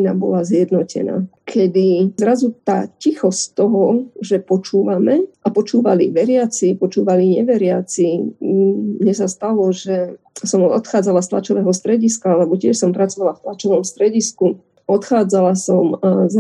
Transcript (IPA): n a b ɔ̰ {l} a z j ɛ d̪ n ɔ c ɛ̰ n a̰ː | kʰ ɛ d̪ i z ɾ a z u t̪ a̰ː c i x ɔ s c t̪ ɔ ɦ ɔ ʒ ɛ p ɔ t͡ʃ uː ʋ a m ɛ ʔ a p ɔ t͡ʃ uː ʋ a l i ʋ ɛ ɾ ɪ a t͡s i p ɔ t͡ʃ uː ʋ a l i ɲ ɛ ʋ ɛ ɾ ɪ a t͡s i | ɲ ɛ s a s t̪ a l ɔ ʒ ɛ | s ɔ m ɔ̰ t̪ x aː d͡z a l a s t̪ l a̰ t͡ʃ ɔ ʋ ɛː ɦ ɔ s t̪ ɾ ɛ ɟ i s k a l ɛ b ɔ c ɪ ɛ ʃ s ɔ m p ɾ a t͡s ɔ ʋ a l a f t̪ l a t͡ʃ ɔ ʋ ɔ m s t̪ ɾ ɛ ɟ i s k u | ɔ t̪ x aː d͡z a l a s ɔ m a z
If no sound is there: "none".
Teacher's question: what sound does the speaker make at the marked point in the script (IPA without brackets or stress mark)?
l